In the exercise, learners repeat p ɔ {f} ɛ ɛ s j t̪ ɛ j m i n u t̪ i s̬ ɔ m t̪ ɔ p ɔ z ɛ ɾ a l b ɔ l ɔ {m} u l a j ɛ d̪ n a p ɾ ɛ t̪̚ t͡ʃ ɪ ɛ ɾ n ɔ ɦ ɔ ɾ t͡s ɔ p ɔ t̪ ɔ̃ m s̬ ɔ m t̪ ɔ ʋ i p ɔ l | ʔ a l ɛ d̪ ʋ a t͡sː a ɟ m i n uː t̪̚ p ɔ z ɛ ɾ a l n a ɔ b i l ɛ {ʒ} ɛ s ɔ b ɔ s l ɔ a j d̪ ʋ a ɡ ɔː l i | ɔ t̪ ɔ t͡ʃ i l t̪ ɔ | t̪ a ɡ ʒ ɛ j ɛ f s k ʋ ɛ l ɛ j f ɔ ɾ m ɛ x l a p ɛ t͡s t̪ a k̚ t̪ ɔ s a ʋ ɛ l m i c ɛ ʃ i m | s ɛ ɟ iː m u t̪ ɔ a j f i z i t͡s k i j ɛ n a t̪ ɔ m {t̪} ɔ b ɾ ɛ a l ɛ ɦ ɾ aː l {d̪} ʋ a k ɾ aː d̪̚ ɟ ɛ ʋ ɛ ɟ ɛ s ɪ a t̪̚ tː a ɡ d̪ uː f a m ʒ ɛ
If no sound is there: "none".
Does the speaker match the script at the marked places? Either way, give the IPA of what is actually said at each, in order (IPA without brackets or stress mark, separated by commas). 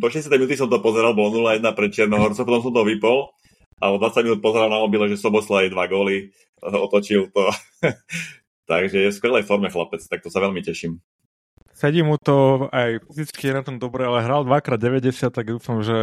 ʃ, n, ʒ, d̪, d̪